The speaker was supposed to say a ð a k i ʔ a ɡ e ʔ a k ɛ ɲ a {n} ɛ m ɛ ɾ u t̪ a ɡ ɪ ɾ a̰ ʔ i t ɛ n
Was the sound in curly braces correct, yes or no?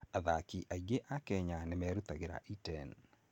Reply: yes